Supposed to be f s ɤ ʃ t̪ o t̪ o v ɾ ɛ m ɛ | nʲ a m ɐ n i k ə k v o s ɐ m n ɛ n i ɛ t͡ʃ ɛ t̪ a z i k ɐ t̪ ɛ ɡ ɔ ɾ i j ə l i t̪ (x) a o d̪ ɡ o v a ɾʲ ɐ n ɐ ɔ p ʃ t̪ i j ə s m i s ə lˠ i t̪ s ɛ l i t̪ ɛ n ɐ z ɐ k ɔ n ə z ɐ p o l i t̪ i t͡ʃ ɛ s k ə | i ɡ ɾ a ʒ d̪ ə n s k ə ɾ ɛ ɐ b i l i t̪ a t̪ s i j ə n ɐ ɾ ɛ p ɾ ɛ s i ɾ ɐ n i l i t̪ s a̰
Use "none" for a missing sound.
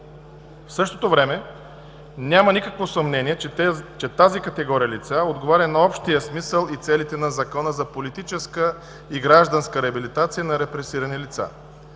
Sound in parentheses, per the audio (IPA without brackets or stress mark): s